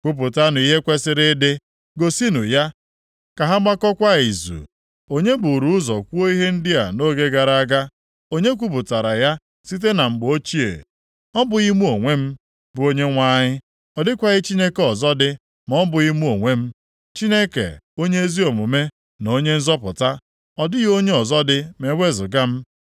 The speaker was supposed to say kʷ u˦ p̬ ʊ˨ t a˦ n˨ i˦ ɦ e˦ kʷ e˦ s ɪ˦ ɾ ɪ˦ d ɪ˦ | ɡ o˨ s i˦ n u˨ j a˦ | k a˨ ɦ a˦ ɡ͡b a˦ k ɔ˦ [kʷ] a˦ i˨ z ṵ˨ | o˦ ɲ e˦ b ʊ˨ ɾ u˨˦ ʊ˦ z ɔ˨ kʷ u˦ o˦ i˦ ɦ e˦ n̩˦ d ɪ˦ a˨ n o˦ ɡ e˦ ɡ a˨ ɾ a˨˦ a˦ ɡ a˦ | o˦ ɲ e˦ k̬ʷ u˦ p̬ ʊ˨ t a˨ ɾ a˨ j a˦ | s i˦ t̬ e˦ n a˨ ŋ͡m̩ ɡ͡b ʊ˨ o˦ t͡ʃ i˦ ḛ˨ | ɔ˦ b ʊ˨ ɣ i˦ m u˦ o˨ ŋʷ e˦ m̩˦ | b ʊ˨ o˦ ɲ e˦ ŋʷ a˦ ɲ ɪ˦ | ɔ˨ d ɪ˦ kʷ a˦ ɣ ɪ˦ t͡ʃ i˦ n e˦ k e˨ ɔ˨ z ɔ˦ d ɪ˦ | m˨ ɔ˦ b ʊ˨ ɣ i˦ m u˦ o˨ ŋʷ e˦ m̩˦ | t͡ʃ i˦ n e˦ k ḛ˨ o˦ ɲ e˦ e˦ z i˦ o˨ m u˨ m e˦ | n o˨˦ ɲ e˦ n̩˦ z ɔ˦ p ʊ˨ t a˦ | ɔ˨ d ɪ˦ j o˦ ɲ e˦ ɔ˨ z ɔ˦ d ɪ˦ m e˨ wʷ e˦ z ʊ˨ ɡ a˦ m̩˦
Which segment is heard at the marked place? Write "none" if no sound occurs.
kʷ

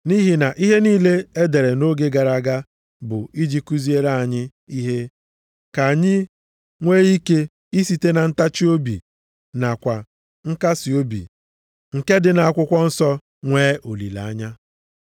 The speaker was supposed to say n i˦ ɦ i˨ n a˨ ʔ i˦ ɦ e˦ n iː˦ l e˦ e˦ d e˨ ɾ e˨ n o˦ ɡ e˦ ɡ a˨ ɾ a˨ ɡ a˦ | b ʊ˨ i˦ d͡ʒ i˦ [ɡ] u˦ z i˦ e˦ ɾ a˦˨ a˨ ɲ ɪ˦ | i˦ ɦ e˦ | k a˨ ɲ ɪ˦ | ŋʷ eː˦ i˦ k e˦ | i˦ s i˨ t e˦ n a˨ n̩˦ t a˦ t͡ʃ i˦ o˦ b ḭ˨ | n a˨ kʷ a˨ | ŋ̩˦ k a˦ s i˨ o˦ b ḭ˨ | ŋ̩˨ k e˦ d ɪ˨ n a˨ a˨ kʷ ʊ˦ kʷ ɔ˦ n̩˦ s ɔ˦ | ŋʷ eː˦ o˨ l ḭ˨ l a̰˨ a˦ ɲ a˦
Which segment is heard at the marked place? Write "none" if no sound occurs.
k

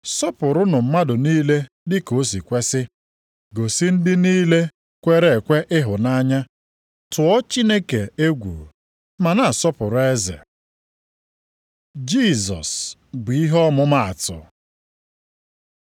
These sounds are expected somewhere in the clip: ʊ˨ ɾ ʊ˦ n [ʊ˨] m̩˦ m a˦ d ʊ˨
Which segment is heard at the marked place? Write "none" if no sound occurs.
ʊ˨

